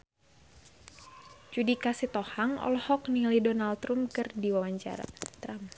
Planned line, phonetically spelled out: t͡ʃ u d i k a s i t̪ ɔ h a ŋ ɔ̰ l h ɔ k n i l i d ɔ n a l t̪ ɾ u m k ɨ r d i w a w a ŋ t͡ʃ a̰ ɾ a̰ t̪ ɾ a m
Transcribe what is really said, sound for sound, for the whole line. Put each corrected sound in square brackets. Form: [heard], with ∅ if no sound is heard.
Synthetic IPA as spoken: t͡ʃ u d i k a s i t̪ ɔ h a ŋ ɔ̰ l h ɔ k n i l i d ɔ n a l t̪ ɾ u m k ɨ r d i w a w a [ɲ] t͡ʃ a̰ ɾ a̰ t̪ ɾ a m

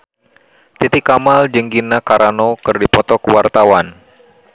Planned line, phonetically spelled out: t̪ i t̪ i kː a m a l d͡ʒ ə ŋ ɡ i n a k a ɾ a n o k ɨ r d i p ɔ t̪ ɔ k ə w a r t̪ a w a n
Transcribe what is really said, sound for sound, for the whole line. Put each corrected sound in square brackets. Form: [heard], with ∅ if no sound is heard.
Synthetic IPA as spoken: t̪ i t̪ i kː a m a l d͡ʒ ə ŋ ɡ i n a k a ɾ a n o k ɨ r d i p ɔ t̪ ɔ k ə w a r t̪ a w a n

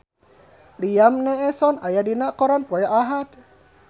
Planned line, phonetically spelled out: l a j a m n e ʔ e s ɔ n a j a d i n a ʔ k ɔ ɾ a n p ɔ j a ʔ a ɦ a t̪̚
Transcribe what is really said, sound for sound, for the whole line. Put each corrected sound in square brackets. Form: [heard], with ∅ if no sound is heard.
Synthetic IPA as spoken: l [i] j a m n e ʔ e s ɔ n a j a d i n a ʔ k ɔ ɾ a n p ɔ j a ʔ a ɦ a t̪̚

